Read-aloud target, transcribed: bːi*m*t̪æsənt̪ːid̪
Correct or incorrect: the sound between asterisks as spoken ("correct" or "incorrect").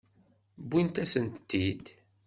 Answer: incorrect